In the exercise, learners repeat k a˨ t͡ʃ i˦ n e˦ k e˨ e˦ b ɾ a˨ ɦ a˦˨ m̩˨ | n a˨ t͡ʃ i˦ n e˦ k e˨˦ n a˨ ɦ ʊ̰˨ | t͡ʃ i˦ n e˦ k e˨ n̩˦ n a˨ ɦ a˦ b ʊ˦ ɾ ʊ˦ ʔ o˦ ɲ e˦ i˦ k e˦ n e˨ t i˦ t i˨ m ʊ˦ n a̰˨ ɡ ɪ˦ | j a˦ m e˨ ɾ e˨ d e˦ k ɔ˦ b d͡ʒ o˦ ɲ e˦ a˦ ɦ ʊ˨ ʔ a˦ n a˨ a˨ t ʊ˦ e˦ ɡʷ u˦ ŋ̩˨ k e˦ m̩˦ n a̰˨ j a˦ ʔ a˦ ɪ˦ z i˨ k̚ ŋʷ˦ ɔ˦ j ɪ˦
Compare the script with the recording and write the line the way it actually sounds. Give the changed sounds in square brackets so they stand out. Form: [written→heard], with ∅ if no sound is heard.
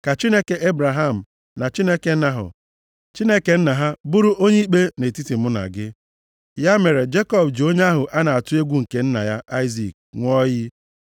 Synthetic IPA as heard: k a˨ t͡ʃ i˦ n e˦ k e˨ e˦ b ɾ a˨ ɦ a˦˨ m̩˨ | n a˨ t͡ʃ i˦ n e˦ k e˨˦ n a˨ ɦ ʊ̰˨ | t͡ʃ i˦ n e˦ k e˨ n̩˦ n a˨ ɦ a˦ b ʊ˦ ɾ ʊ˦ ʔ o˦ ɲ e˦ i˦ [k→k͡p] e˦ n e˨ t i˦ t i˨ m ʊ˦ n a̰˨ ɡ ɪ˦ | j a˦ m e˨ ɾ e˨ [d→d͡ʒ] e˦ k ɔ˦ b d͡ʒ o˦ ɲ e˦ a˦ ɦ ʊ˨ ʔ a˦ n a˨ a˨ t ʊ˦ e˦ ɡʷ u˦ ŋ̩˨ k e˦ [m̩˦→n̩˦] n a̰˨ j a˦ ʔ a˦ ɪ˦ z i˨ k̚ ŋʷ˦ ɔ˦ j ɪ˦